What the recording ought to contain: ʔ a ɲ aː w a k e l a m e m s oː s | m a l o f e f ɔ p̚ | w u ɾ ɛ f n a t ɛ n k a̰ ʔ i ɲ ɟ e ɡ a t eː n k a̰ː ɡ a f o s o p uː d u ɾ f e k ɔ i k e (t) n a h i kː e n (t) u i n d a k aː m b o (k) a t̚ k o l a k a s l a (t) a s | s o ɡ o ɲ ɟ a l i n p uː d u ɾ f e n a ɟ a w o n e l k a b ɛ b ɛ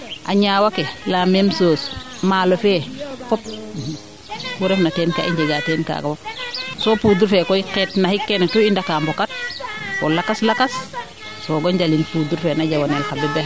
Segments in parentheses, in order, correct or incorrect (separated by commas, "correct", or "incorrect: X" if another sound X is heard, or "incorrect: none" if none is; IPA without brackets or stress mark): correct, correct, correct, incorrect: k